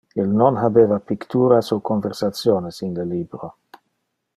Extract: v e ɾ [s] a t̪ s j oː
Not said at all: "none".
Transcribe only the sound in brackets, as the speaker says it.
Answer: s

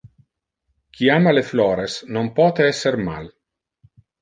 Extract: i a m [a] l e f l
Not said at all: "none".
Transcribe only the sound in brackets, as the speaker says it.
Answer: a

